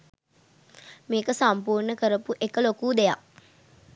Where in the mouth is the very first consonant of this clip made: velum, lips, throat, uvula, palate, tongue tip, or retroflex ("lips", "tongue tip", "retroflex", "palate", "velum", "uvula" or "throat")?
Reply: lips